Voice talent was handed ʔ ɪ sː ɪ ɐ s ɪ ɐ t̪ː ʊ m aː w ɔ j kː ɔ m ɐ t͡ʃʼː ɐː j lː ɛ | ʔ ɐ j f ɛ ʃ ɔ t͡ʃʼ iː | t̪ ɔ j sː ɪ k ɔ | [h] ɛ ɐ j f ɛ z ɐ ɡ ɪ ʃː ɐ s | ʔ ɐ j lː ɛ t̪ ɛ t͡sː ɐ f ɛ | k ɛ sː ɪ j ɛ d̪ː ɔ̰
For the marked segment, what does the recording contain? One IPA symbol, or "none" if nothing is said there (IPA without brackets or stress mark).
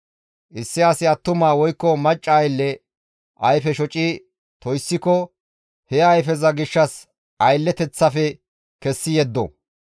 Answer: h